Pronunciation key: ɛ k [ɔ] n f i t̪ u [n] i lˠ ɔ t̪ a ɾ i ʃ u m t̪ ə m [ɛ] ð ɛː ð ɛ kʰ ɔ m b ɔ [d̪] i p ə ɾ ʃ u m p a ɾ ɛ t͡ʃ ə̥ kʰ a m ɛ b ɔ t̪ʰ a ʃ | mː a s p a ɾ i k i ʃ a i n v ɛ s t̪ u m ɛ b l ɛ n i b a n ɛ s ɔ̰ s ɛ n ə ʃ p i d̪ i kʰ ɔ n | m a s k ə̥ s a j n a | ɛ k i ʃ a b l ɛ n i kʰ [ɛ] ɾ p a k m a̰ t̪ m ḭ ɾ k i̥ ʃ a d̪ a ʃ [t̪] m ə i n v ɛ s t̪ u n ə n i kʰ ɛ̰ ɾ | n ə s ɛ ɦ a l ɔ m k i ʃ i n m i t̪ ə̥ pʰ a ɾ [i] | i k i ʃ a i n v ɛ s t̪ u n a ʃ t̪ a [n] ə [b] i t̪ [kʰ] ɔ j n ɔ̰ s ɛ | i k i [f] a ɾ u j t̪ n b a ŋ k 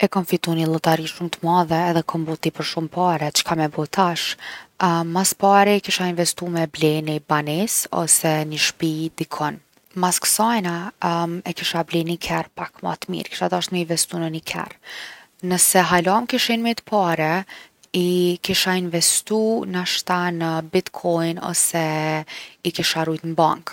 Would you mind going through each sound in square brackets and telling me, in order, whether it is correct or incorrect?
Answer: correct, correct, incorrect, incorrect, correct, correct, incorrect, correct, correct, correct, incorrect

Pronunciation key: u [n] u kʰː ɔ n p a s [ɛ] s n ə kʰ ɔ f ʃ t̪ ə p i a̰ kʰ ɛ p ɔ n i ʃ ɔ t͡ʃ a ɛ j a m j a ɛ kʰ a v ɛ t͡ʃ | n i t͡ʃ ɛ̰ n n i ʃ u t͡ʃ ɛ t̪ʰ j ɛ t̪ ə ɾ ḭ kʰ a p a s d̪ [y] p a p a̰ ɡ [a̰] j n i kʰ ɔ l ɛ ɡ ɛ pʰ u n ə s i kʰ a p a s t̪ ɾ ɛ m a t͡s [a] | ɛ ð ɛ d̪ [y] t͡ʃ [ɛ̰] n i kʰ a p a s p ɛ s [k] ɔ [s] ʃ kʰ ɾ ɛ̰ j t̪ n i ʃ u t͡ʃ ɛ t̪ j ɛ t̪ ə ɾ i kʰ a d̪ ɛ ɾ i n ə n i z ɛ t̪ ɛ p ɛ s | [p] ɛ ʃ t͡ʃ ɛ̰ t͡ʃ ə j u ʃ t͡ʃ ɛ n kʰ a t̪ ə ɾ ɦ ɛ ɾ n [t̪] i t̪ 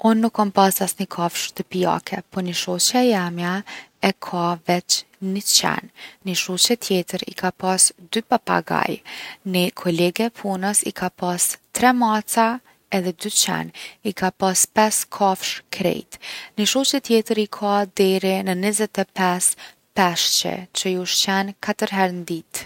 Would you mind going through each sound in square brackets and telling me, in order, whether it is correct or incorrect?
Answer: incorrect, incorrect, correct, correct, correct, correct, correct, incorrect, incorrect, correct, incorrect

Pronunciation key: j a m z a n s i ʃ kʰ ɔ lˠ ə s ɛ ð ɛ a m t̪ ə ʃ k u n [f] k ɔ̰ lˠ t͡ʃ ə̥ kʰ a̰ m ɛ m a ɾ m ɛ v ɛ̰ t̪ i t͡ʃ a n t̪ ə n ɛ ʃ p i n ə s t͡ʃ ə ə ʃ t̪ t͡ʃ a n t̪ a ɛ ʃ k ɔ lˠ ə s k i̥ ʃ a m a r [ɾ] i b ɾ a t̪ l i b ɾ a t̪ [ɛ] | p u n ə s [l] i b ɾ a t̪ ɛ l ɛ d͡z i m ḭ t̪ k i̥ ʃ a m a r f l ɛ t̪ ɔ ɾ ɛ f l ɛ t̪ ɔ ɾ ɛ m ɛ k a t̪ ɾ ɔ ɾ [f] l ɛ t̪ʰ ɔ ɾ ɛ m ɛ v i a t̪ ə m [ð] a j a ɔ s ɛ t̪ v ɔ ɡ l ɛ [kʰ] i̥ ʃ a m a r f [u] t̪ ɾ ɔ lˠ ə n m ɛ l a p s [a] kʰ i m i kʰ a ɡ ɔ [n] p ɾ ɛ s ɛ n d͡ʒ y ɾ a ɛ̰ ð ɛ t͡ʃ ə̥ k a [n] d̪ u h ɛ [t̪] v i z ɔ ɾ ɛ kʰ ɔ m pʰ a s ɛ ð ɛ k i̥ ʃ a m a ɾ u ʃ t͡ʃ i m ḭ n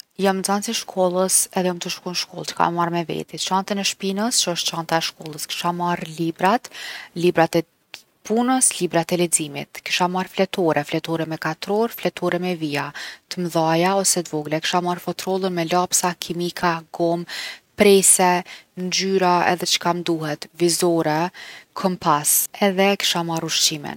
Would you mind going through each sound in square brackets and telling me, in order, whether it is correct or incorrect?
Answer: incorrect, incorrect, correct, correct, correct, correct, incorrect, incorrect, correct, incorrect, incorrect, correct

